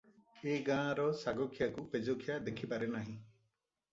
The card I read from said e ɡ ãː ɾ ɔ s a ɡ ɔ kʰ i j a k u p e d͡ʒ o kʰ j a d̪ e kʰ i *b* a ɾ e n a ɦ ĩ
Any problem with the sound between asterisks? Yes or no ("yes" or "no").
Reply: yes